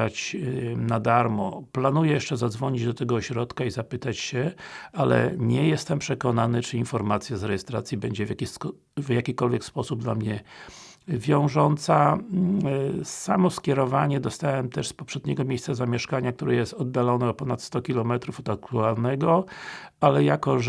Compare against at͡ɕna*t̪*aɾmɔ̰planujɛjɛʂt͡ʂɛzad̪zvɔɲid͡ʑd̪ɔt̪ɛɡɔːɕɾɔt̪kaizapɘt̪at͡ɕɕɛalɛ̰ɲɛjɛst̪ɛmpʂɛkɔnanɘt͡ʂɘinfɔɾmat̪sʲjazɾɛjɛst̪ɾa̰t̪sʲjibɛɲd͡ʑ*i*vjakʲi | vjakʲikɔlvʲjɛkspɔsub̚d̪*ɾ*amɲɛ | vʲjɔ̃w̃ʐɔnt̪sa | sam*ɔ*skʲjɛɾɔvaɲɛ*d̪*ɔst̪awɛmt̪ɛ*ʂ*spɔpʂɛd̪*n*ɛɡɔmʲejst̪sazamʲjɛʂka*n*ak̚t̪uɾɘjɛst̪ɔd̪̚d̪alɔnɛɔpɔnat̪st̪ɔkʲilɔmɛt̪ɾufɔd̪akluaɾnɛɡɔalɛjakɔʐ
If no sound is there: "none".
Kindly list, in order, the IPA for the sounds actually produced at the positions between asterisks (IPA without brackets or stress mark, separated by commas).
d̪, ɛ, l, ɔ, d̪, ʂ, ɲ, ɲ